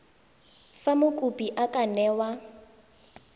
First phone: f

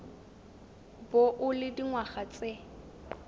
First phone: b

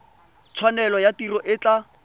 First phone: t͡sʰ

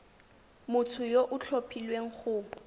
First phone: m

